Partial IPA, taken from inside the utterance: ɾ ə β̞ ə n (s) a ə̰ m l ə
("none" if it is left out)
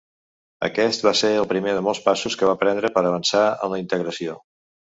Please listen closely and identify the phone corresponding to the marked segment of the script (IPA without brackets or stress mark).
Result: s